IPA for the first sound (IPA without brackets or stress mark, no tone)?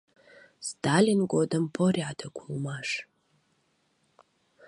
s